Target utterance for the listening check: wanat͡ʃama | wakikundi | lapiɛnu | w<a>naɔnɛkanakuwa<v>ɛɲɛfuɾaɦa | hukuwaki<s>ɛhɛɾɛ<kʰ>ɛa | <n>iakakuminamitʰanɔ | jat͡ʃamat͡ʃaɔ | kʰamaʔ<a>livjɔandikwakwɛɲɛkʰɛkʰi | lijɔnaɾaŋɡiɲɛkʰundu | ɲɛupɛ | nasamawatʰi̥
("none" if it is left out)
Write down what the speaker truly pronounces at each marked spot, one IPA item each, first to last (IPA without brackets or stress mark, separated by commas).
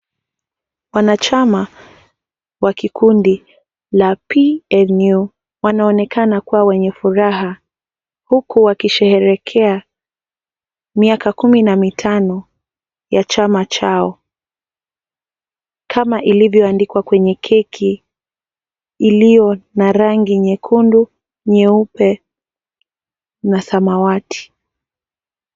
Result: a, w, ʃ, kʰ, m, i